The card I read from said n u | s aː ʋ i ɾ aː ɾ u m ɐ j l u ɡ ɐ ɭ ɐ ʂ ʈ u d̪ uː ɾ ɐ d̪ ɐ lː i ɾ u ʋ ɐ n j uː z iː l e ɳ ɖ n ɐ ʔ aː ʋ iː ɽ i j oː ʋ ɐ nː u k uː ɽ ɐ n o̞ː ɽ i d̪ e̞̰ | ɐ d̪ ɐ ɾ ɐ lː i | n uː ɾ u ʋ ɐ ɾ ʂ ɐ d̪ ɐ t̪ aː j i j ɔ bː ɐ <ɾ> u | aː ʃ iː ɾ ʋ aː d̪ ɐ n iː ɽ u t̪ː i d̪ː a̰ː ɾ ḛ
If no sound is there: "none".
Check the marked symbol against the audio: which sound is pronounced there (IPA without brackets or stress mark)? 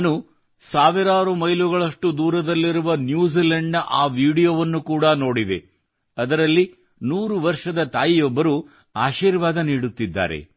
ɾ